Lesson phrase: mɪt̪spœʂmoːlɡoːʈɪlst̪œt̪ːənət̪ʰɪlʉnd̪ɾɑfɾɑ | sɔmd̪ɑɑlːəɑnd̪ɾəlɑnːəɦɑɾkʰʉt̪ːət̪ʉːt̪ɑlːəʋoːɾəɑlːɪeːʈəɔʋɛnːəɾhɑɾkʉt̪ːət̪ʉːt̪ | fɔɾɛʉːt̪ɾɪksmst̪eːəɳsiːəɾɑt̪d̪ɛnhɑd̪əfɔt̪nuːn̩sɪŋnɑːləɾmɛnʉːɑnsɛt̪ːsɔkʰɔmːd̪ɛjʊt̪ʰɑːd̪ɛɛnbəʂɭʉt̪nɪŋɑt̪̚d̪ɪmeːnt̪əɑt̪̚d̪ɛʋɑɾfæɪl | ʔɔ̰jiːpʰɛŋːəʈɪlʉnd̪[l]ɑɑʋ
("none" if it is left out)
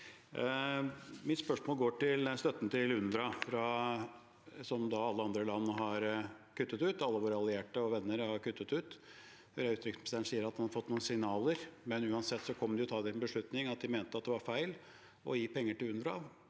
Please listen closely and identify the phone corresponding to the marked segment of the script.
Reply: ɾ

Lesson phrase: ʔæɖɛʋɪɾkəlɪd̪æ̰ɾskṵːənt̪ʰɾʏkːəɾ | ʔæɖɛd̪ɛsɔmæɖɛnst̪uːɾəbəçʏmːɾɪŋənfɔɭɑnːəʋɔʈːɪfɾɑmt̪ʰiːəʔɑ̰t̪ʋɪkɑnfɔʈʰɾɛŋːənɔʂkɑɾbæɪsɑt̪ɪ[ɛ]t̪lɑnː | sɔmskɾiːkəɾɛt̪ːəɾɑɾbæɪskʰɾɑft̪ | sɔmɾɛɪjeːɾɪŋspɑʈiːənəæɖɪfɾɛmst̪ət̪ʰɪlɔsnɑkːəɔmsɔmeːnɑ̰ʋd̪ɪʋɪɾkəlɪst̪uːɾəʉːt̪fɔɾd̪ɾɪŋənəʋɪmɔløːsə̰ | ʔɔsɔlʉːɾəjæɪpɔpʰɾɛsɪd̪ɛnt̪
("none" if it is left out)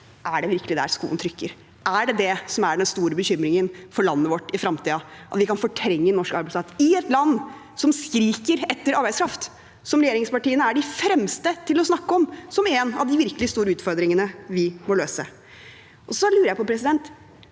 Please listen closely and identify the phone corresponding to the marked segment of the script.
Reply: ɛ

